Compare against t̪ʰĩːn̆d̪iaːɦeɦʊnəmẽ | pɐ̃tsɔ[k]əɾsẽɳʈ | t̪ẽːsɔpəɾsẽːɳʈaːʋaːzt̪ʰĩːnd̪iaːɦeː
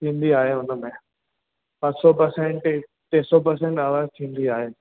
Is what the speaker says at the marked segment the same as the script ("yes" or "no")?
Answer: no